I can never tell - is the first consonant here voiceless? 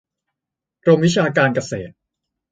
no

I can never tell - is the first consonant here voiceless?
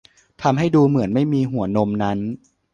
yes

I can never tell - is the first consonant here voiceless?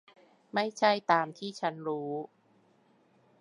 no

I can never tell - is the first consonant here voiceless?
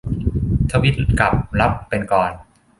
yes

